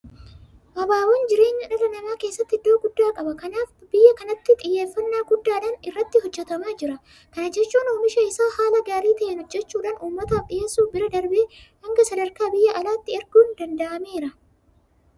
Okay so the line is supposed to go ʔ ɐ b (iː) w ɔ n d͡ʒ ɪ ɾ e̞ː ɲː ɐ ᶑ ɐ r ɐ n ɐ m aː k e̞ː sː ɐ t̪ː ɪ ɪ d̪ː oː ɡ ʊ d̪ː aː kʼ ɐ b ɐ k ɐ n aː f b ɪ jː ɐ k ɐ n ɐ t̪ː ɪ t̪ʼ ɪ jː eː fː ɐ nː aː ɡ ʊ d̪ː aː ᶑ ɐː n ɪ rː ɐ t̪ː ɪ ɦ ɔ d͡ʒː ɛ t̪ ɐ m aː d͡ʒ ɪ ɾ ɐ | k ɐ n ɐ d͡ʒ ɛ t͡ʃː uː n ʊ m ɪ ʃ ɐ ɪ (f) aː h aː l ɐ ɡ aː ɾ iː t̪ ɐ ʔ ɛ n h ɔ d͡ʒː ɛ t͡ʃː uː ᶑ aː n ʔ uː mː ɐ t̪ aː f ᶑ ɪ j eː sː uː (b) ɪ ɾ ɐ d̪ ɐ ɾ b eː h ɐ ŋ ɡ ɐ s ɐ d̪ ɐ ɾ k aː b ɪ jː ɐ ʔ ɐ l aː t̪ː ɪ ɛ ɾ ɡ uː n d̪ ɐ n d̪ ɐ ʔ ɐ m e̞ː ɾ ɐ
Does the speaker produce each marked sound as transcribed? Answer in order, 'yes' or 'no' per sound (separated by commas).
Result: no, no, yes